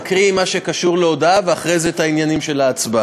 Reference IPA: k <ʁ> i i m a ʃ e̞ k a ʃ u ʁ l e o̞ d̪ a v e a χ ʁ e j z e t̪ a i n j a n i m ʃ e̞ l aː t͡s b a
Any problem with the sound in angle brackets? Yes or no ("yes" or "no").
no